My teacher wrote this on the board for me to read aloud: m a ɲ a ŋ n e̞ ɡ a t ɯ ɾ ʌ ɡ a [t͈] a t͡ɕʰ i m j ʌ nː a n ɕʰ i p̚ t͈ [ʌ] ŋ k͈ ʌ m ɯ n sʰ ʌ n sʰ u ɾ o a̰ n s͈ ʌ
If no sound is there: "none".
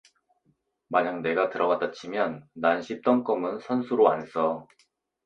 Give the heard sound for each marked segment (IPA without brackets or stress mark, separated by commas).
t͈, ʌ